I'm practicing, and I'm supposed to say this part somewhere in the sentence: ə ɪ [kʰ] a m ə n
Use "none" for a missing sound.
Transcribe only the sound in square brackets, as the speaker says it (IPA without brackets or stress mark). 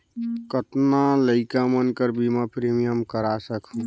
k